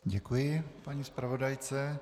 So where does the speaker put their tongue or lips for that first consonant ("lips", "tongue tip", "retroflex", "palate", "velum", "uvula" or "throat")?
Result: palate